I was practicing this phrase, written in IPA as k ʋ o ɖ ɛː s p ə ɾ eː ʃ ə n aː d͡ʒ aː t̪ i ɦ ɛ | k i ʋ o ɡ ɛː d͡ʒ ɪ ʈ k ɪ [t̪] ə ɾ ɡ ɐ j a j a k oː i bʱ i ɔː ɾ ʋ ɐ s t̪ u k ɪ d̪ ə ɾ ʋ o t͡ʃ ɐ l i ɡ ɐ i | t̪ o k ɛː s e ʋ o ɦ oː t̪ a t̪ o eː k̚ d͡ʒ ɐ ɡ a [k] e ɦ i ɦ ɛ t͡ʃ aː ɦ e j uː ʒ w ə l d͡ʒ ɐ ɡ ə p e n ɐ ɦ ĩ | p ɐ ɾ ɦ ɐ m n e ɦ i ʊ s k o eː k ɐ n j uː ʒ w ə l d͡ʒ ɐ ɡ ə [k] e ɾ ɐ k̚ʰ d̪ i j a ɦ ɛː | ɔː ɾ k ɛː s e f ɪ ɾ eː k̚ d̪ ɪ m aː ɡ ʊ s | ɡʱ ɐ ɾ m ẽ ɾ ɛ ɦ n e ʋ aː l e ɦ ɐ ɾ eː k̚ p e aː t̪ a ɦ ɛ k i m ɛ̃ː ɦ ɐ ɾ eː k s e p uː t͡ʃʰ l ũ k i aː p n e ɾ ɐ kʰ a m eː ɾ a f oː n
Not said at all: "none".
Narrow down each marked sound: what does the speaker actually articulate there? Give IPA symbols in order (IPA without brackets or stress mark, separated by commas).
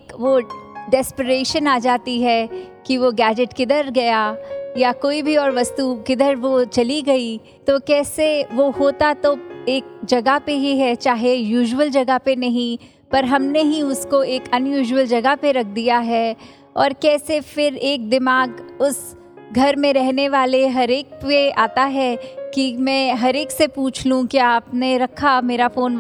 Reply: d̪, p, p